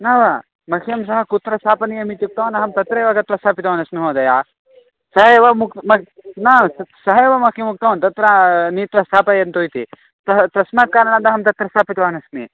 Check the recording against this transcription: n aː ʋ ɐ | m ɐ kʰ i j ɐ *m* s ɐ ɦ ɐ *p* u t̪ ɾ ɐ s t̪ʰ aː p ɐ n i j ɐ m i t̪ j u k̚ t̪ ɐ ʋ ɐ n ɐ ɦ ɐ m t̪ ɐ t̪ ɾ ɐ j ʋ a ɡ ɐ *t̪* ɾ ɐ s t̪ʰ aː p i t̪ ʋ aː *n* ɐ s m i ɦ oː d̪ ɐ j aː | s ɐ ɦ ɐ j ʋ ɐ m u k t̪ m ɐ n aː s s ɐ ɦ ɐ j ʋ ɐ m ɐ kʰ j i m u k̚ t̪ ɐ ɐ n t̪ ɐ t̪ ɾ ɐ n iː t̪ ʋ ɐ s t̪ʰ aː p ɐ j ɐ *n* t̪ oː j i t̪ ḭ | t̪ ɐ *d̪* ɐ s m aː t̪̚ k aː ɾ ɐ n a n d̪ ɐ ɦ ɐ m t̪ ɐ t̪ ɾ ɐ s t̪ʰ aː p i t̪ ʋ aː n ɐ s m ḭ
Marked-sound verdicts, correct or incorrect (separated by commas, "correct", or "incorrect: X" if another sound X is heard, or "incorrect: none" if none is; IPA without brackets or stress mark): correct, incorrect: k, correct, correct, correct, incorrect: t̪